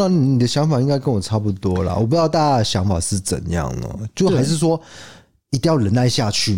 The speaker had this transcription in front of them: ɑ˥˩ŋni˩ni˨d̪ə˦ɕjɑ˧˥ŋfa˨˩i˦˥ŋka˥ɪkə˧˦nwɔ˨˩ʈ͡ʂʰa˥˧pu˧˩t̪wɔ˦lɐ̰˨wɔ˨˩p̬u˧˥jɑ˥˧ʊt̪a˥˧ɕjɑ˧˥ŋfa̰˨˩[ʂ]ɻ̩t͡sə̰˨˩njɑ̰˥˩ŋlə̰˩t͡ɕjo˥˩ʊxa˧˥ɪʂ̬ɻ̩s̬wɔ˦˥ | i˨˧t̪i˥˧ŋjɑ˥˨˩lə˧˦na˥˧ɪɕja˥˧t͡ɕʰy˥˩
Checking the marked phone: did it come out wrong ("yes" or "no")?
no